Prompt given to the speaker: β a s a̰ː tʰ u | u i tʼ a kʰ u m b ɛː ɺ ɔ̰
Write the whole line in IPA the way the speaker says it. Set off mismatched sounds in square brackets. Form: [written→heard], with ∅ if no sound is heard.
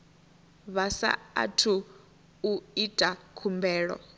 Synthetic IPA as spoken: β a s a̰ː tʰ u | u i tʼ a kʰ u m b ɛː ɺ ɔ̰